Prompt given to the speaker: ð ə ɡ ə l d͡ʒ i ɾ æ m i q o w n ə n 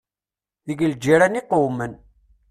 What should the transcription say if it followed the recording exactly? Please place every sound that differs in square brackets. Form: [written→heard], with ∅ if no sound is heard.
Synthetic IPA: ð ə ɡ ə l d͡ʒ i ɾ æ [m→n] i q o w [n→m] ə n